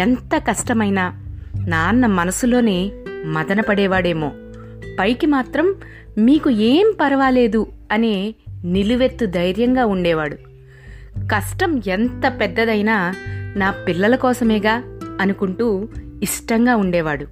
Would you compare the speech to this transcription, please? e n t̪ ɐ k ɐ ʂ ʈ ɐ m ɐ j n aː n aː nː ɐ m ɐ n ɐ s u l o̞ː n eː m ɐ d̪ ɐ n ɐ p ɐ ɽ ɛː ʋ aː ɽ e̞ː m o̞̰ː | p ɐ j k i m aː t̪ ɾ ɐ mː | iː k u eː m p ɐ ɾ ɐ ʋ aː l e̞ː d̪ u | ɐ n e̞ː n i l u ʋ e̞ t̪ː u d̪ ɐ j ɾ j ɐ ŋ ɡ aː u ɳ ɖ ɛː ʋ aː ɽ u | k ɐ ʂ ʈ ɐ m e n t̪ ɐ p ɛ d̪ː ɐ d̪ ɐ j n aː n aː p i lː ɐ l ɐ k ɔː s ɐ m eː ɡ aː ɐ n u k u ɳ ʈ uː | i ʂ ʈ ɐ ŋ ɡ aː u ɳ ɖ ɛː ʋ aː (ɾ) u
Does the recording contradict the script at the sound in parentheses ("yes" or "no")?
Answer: yes